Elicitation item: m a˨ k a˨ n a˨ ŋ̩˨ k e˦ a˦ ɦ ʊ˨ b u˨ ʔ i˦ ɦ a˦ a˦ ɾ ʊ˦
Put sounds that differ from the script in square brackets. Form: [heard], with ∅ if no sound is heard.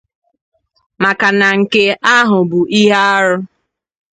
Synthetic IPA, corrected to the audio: m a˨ k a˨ n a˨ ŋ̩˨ k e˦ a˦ ɦ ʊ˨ b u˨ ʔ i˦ ɦ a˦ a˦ ɾ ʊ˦